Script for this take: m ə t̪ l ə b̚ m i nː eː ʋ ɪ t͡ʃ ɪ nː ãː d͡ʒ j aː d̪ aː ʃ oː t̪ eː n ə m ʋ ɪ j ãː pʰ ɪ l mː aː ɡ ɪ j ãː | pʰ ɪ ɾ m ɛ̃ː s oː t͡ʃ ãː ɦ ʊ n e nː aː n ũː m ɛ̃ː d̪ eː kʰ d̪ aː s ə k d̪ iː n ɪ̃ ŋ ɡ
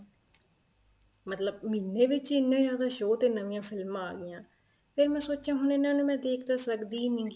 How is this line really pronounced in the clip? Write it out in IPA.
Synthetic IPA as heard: m ə t̪ l ə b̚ m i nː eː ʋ ɪ t͡ʃ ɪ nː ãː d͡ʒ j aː d̪ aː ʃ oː t̪ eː n ə ʋ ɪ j ãː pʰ ɪ l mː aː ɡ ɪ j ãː | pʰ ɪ ɾ m ɛ̃ː s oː t͡ʃ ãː ɦ ʊ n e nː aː n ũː m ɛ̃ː d̪ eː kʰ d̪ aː s ə k d̪ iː n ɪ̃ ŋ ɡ